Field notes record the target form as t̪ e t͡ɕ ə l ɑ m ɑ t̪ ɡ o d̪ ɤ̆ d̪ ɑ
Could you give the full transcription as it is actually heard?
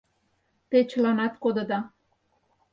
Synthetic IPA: t̪ e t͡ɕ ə l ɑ n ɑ t̪ k o d̪ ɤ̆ d̪ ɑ